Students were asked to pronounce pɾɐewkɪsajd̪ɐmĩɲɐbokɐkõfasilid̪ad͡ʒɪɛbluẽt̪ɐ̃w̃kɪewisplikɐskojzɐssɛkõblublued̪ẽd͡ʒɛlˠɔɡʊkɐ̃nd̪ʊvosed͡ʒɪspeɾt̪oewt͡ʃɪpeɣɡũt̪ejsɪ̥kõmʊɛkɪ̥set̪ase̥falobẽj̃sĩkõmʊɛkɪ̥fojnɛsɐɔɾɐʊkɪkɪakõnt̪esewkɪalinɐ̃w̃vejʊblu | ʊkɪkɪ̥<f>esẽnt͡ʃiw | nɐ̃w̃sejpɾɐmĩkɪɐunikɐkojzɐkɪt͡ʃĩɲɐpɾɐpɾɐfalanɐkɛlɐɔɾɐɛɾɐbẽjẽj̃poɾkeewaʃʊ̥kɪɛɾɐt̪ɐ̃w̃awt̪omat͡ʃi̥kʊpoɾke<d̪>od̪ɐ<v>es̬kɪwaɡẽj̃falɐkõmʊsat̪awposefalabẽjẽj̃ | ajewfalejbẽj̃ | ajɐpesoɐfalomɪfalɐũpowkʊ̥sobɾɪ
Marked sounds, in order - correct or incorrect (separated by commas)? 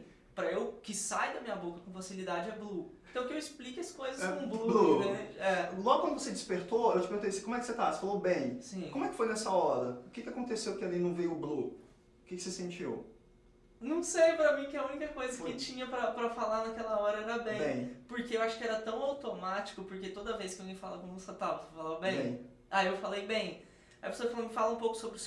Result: incorrect, incorrect, correct